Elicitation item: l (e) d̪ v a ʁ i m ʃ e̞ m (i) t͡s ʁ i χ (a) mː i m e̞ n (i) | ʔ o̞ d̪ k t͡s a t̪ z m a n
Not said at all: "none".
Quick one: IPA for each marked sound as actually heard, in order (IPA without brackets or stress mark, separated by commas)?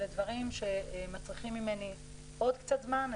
e, a, i, i